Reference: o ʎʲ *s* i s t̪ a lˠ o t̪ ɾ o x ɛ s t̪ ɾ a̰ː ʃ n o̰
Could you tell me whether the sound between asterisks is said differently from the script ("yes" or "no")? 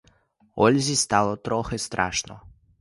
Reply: yes